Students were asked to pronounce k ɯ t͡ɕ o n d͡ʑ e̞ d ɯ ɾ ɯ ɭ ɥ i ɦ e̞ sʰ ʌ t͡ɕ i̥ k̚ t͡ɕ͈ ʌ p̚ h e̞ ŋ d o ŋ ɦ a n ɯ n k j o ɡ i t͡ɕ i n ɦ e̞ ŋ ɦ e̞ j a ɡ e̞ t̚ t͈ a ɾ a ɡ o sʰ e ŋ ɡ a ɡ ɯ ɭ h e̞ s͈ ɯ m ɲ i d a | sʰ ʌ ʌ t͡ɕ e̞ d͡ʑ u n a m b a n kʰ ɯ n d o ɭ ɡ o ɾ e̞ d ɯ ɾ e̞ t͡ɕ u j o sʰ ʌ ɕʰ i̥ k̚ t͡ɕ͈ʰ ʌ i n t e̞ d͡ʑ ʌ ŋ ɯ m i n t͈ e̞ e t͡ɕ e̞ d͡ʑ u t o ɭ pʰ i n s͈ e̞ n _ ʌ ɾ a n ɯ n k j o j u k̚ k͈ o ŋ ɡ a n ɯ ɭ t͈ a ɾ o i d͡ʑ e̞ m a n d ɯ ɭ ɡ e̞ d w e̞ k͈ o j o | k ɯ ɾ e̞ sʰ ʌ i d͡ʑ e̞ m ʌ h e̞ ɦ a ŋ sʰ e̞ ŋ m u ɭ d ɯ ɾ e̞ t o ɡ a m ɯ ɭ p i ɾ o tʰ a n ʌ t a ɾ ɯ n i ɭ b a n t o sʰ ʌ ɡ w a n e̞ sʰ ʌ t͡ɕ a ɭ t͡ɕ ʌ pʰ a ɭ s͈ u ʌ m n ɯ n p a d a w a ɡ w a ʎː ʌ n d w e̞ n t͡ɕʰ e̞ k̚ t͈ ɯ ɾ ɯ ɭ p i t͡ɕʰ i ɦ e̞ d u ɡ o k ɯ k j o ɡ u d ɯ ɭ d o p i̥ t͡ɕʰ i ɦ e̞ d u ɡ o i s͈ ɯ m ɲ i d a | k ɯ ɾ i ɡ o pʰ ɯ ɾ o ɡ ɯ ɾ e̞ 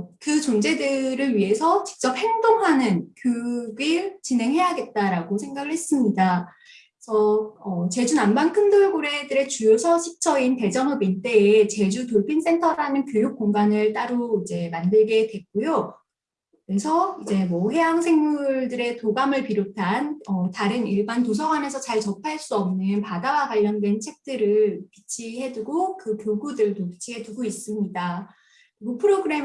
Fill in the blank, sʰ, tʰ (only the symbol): tʰ